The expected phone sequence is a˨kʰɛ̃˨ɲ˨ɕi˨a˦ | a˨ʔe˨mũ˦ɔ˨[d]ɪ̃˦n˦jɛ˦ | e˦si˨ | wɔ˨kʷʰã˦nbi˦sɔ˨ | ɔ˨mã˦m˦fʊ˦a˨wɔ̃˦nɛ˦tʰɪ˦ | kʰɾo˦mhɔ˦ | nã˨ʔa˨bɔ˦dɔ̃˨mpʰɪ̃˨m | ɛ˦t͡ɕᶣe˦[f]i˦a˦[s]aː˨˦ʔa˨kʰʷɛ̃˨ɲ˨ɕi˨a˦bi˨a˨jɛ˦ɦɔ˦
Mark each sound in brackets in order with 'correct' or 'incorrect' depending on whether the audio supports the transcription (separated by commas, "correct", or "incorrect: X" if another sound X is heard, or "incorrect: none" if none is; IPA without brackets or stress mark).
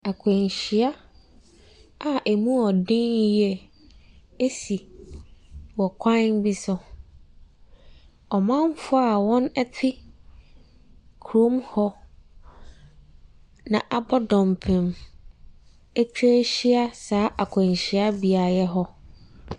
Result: correct, incorrect: ɕ, correct